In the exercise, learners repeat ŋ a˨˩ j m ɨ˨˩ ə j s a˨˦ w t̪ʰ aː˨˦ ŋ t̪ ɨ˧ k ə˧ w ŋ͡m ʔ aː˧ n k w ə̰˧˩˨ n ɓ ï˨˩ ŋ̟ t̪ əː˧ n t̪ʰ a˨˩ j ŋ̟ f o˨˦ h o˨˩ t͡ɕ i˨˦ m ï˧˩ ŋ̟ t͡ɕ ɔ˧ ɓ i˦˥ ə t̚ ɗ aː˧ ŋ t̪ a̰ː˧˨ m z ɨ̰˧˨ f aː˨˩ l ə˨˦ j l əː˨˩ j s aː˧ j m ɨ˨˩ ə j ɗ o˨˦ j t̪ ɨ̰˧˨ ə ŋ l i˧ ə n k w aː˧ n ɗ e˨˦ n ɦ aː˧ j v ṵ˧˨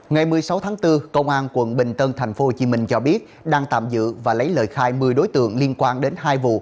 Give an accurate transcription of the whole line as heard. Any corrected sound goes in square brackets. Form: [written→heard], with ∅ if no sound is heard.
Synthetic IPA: ŋ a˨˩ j m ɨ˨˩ ə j s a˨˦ w t̪ʰ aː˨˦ ŋ t̪ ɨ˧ k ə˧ w ŋ͡m ʔ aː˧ n k w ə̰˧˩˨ n ɓ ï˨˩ ŋ̟ t̪ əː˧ n t̪ʰ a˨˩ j ŋ̟ f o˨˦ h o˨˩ t͡ɕ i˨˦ m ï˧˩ ŋ̟ t͡ɕ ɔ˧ ɓ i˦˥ ə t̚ ɗ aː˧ ŋ t̪ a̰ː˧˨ m z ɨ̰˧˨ [f→v] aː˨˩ l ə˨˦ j l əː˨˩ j [s→x] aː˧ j m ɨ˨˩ ə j ɗ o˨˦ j t̪ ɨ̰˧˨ ə ŋ l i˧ ə n k w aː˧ n ɗ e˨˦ n ɦ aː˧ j v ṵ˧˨